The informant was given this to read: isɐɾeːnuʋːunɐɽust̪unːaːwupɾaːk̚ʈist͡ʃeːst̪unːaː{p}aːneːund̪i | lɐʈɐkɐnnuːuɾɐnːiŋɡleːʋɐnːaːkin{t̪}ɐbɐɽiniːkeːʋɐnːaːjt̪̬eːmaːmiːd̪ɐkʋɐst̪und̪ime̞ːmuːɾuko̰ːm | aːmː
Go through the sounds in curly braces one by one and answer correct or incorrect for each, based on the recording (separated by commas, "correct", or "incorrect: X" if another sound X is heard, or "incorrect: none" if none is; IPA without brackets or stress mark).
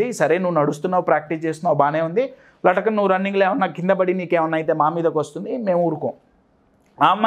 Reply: incorrect: b, incorrect: d̪